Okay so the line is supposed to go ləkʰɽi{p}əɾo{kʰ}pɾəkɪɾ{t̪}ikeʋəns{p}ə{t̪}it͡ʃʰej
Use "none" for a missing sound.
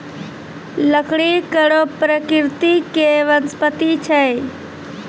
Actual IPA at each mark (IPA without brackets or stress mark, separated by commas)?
k, none, t̪, p, t̪